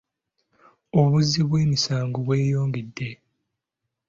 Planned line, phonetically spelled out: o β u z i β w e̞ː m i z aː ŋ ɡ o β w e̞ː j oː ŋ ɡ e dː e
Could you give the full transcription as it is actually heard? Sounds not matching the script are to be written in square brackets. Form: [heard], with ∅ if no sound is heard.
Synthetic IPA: o β u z i β w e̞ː m i [s] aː ŋ ɡ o β w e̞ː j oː ŋ ɡ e dː e